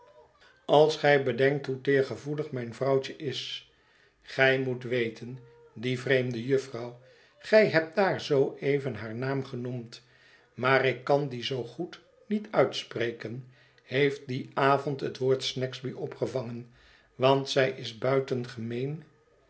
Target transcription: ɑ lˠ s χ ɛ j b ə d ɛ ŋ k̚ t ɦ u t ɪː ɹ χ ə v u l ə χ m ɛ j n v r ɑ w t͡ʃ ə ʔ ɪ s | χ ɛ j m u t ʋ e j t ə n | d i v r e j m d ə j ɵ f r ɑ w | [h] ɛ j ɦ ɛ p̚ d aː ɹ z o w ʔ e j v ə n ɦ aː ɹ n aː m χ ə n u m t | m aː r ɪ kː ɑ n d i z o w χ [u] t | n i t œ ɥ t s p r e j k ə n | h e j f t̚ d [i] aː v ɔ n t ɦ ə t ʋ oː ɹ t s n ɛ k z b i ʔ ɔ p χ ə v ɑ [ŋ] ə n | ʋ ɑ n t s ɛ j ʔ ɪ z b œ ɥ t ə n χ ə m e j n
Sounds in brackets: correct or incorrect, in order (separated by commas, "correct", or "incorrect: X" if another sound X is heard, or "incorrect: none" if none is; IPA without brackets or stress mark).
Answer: incorrect: χ, correct, correct, correct